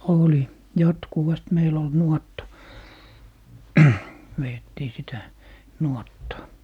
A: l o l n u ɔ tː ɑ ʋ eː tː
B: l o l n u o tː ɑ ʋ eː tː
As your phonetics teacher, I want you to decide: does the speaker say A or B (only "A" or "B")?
A